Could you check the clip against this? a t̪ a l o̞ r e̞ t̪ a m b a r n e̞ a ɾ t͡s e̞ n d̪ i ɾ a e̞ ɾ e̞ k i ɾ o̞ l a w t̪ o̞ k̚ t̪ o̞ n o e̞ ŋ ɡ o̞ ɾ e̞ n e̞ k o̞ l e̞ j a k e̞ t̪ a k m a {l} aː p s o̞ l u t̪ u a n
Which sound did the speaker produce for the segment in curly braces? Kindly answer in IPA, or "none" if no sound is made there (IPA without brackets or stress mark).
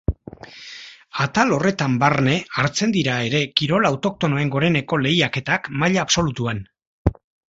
ʎ